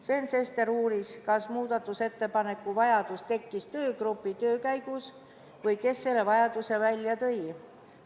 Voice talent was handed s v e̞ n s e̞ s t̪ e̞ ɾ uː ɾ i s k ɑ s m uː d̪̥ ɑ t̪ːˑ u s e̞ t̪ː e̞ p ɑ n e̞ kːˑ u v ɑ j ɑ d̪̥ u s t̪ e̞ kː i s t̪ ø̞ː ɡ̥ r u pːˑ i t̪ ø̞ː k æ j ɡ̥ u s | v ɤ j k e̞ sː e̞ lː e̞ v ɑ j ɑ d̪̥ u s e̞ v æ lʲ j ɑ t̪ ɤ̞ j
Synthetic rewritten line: s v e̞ n s e̞ s t̪ e̞ ɾ uː ɾ i s k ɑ s m uː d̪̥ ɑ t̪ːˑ u s e̞ t̪ː e̞ p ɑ n e̞ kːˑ u v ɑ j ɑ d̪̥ u s t̪ e̞ kː i s t̪ ø̞ː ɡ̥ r u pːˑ i t̪ ø̞ː k æ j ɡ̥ u s | v ɤ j k e̞ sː e̞ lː e̞ v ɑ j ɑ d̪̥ u s e̞ v æ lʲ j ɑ t̪ ɤ̞ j